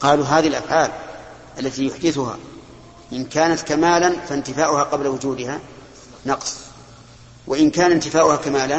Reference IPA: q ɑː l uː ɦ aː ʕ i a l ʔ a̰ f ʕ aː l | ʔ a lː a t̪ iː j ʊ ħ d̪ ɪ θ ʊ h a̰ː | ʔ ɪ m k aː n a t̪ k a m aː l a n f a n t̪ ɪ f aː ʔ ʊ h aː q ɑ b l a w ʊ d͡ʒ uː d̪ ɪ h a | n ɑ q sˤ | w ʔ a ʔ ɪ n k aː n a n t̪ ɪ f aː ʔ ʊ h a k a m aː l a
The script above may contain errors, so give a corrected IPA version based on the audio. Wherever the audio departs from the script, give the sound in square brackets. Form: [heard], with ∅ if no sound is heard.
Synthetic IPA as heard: q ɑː l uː ɦ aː [ð] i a l ʔ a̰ f ʕ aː l | ʔ a lː a t̪ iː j ʊ ħ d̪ ɪ θ ʊ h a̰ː | ʔ ɪ [n] k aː n a t̪ k a m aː l a n f a n t̪ ɪ f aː ʔ ʊ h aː q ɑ b l a w ʊ d͡ʒ uː d̪ ɪ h a | n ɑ q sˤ | w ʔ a ʔ ɪ n k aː n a n t̪ ɪ f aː ʔ ʊ h a k a m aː l a